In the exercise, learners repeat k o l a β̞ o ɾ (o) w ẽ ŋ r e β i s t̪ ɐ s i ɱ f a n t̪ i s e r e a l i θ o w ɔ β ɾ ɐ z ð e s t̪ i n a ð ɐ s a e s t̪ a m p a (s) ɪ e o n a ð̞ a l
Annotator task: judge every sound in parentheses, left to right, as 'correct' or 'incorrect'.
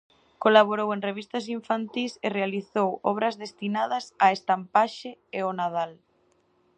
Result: correct, incorrect

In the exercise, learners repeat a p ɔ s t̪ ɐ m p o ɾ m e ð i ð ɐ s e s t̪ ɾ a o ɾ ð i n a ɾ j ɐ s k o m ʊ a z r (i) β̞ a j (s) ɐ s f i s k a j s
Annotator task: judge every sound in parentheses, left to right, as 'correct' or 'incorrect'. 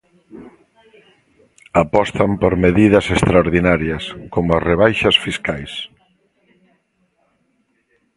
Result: incorrect, incorrect

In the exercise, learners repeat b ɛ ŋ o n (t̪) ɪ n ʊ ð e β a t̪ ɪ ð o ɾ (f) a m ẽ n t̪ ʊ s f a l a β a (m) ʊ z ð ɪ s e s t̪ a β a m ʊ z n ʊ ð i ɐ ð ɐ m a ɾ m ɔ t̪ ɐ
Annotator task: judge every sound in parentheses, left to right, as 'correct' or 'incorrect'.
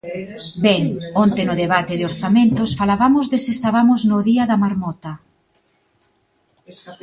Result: correct, incorrect, correct

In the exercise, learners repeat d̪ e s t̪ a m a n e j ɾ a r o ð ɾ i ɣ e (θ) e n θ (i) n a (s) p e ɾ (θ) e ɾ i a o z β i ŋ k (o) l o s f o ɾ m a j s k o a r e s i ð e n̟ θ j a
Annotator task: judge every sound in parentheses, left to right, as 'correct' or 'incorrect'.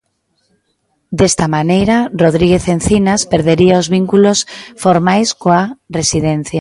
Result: correct, correct, correct, incorrect, incorrect

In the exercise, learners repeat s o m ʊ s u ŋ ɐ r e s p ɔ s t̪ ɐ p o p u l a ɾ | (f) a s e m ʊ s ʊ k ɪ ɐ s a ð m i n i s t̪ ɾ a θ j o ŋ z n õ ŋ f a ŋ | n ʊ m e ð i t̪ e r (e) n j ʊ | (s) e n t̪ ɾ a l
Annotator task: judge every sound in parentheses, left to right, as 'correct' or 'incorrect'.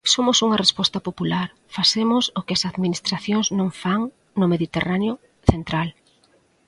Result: correct, incorrect, incorrect

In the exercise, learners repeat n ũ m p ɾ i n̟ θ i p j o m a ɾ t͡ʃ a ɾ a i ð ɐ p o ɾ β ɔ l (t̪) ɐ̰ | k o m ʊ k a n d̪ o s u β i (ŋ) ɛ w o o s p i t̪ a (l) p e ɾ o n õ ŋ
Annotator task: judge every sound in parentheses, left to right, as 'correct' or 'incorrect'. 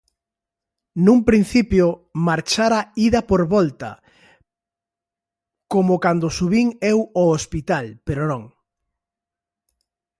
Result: correct, correct, correct

